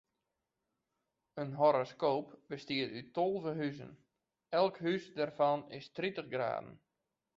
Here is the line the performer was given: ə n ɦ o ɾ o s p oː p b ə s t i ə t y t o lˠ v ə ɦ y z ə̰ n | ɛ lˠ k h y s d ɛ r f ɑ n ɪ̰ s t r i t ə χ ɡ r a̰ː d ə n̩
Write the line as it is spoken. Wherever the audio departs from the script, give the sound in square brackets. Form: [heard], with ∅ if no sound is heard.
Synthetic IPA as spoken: ə n ɦ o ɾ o s [k] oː p b ə s t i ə t y t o lˠ v ə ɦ y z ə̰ n | ɛ lˠ k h y s d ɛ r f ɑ n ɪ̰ s t r i t ə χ ɡ r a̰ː d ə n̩